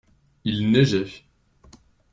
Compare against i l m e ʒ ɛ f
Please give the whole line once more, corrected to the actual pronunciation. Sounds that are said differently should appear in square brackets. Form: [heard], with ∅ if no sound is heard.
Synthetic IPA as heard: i l [n] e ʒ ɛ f